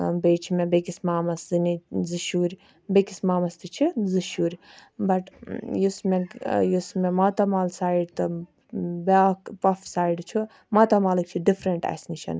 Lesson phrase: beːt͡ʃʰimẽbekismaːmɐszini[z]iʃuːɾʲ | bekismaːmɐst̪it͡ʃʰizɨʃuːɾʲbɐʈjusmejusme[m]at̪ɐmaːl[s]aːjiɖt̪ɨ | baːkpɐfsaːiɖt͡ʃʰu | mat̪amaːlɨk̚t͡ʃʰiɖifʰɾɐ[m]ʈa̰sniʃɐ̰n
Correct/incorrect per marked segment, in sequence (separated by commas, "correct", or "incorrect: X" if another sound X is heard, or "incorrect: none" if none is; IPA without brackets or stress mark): correct, correct, correct, incorrect: ɳ